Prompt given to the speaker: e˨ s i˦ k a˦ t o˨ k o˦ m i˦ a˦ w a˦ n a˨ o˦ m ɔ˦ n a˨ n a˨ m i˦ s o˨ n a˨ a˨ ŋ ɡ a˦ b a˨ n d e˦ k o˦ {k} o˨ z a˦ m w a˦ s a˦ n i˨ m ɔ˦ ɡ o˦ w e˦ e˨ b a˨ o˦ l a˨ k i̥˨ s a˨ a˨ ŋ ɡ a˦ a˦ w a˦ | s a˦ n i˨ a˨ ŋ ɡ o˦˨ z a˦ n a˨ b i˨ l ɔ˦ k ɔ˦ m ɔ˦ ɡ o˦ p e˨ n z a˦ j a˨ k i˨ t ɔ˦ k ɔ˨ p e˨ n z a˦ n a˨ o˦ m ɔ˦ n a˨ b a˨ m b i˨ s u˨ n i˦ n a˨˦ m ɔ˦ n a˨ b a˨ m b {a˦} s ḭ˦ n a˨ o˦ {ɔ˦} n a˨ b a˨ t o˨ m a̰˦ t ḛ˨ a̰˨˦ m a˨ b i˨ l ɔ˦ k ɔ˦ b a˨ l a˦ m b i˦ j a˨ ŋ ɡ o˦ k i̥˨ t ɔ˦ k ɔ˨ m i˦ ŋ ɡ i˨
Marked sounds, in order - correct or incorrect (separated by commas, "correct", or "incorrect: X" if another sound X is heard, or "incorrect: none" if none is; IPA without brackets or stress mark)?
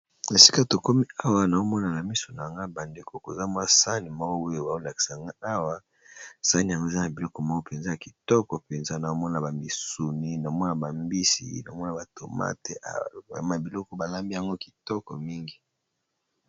correct, incorrect: i˦, correct